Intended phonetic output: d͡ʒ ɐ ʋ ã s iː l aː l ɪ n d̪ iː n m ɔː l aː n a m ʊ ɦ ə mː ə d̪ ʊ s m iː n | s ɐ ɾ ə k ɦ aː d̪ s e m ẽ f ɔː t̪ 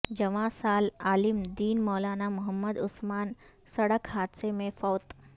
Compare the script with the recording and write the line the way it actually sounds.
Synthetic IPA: d͡ʒ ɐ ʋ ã s aː l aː l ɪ m d̪ iː n m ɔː l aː n a m ʊ ɦ ə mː ə d̪ ʊ s m aː n | s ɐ ɽ ə k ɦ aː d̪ s e m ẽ f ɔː t̪